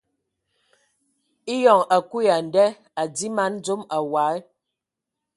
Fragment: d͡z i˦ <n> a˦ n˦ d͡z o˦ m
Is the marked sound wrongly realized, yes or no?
yes